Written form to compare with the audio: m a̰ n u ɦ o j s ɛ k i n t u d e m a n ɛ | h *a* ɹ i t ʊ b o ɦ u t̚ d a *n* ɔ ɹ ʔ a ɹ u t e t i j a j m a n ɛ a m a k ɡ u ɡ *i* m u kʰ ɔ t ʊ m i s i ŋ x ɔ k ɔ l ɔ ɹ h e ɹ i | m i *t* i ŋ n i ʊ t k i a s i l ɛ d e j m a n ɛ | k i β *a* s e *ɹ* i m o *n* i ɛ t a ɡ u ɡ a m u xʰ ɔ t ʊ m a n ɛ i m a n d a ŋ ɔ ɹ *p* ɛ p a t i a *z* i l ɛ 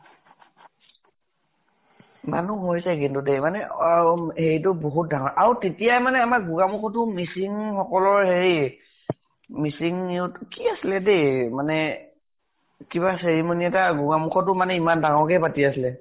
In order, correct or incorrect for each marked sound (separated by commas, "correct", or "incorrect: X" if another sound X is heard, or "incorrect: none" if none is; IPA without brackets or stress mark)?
incorrect: e, incorrect: ŋ, incorrect: a, incorrect: s, correct, correct, correct, incorrect: k, incorrect: s